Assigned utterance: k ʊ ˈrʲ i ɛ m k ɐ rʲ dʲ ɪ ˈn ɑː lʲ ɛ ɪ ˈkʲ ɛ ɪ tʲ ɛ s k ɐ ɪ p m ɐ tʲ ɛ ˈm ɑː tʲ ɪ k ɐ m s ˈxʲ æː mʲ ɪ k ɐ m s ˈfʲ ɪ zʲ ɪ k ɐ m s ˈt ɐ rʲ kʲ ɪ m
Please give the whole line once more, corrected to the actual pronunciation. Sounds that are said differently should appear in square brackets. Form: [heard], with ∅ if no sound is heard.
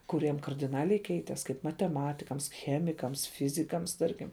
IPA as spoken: k ʊ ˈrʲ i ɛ m k ɐ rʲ dʲ ɪ ˈn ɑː lʲ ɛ ɪ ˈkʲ ɛ ɪ tʲ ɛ s k ɐ ɪ p m ɐ tʲ ɛ ˈm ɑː tʲ ɪ k ɐ m s ˈxʲ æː mʲ ɪ k ɐ m s ˈfʲ ɪ zʲ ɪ k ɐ m s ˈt ɐ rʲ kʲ ɪ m